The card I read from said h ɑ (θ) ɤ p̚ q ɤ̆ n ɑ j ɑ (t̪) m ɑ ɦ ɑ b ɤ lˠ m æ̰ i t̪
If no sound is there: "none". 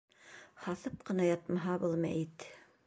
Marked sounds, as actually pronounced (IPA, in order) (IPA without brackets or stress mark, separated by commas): θ, t̪